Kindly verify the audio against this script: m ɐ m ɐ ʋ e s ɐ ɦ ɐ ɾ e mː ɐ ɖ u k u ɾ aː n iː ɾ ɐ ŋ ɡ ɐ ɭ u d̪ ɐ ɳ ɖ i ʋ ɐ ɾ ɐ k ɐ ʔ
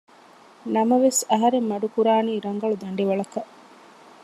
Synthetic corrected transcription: n ɐ m ɐ ʋ e s ɐ ɦ ɐ ɾ e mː ɐ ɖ u k u ɾ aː n iː ɾ ɐ ŋ ɡ ɐ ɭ u d̪ ɐ ɳ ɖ i ʋ ɐ ɭ ɐ k ɐ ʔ